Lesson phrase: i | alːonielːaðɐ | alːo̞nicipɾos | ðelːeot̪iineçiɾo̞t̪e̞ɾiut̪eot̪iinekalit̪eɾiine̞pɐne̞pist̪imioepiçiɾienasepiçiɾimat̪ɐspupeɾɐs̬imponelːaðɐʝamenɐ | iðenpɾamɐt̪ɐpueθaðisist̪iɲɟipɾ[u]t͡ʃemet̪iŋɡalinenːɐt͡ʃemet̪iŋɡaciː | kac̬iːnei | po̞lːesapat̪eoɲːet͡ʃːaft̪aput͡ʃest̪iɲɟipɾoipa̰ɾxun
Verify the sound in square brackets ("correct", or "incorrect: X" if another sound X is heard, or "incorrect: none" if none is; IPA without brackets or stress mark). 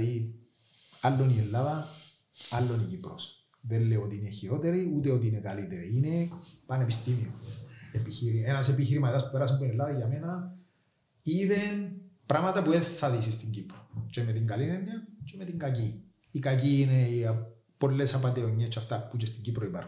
incorrect: o